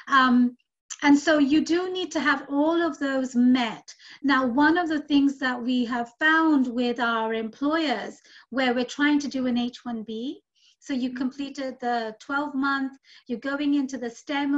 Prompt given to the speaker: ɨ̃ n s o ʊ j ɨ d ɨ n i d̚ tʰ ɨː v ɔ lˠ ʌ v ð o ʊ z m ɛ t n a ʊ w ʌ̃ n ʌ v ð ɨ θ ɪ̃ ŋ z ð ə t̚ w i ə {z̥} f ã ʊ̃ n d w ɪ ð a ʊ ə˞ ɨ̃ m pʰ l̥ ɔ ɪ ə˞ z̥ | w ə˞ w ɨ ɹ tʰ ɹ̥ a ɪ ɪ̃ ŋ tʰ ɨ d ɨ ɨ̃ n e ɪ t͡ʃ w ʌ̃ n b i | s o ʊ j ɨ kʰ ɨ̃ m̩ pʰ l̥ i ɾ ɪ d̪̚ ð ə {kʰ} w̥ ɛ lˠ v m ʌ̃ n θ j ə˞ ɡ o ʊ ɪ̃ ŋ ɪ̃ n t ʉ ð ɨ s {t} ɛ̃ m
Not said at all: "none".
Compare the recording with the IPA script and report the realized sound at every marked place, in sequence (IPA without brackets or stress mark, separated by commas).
v̥, tʰ, t